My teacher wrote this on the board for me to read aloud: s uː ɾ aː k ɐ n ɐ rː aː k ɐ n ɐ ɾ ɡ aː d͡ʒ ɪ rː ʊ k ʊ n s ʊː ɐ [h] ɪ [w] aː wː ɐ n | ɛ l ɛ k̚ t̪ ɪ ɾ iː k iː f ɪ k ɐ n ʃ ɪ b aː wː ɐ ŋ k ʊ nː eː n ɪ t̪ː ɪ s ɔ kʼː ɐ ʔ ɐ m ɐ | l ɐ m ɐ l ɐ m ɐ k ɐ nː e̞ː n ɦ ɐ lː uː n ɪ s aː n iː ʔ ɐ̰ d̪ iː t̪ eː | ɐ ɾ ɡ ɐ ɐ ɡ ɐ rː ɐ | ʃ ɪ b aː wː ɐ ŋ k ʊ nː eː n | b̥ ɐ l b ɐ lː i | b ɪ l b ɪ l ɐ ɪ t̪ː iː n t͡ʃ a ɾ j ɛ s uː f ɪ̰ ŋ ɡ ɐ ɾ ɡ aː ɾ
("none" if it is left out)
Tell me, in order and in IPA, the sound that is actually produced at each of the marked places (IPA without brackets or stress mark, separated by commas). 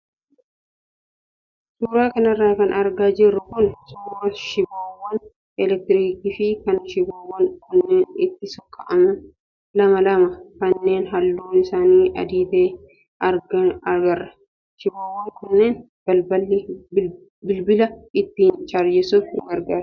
ʃ, b